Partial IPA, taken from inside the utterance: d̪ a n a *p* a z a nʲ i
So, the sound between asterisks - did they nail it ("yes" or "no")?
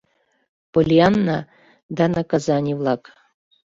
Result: no